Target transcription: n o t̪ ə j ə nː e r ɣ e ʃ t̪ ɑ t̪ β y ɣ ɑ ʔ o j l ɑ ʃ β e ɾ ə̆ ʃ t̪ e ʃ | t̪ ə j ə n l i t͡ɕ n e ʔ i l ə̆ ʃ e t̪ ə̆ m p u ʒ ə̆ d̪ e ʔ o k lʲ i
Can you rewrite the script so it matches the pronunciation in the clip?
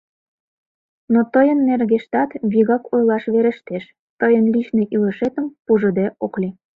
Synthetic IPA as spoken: n o t̪ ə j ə nː e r ɣ e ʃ t̪ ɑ t̪ β i ɣ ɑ k o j l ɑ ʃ β e ɾ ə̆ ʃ t̪ e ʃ | t̪ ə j ə n l i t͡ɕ n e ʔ i l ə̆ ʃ e t̪ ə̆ m p u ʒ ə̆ d̪ e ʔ o k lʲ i